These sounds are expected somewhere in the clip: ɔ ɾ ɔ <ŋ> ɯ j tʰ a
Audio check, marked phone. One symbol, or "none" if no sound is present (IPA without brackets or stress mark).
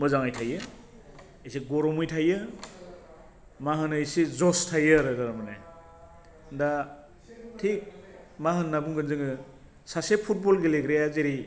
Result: m